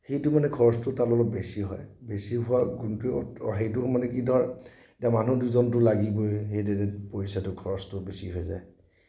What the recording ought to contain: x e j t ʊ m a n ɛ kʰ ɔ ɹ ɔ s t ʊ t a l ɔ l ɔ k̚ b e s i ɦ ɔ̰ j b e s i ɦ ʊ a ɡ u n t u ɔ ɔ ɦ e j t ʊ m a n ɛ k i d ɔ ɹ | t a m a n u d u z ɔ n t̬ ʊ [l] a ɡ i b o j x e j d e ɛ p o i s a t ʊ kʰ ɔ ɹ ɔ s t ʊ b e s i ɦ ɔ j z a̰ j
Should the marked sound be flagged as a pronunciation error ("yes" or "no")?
no